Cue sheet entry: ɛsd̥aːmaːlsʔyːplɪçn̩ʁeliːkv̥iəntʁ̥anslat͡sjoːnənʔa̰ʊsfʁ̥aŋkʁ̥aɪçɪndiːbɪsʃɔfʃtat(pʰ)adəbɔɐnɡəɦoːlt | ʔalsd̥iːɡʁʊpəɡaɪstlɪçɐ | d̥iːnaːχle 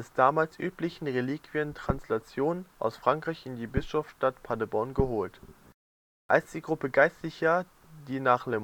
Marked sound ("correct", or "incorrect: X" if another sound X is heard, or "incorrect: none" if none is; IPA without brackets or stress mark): correct